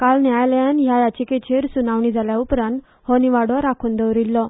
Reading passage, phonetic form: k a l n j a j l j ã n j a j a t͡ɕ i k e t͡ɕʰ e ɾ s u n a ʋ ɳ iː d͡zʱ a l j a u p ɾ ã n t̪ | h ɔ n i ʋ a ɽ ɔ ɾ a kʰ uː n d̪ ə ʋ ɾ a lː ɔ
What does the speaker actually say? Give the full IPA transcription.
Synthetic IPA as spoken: k a l n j a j l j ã n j a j a t͡ɕ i k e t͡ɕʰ e ɾ s u n a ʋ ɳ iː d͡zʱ a l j a u p ɾ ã n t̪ | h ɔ n i ʋ a ɽ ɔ ɾ a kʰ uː n d̪ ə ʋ ɾ i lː ɔ